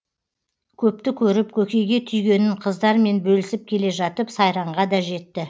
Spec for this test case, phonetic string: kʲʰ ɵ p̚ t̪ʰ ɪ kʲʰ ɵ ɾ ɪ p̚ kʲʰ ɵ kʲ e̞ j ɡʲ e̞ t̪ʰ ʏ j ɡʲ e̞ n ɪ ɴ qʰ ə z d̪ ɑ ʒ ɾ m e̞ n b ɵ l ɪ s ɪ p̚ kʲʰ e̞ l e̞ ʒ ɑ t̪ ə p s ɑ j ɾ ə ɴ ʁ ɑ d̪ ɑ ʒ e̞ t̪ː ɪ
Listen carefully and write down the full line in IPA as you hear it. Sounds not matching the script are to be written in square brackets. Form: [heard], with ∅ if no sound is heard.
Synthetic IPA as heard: kʲʰ ɵ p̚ [t̪] ɪ kʲʰ ɵ ɾ ɪ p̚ kʲʰ ɵ kʲ e̞ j ɡʲ e̞ t̪ʰ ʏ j ɡʲ e̞ n ɪ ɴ qʰ ə z d̪ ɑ [∅] ɾ m e̞ n b ɵ l ɪ s ɪ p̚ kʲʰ e̞ l e̞ ʒ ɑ t̪ ə p s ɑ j ɾ [ɑ] ɴ ʁ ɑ d̪ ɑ ʒ e̞ t̪ː ɪ